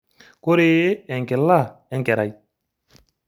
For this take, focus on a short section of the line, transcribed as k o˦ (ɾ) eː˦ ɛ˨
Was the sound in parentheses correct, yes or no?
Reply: yes